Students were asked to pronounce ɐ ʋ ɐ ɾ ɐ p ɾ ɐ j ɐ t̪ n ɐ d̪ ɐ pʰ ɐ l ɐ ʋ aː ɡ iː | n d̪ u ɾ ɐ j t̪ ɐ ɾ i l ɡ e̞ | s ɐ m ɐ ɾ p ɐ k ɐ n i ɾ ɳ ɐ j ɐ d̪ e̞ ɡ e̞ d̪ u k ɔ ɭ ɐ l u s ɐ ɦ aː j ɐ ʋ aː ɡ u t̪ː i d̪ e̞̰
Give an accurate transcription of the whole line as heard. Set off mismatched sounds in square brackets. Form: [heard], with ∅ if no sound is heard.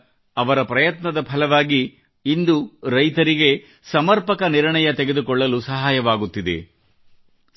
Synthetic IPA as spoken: ɐ ʋ ɐ ɾ ɐ p ɾ ɐ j ɐ t̪ n ɐ d̪ ɐ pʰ ɐ l ɐ ʋ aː ɡ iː | n d̪ u ɾ ɐ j t̪ ɐ ɾ i [∅] ɡ e̞ | s ɐ m ɐ ɾ p ɐ k ɐ n i ɾ ɳ ɐ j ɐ [t̪] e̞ ɡ e̞ d̪ u k ɔ [ɭː] ɐ l u s ɐ ɦ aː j ɐ ʋ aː ɡ u t̪ː i d̪ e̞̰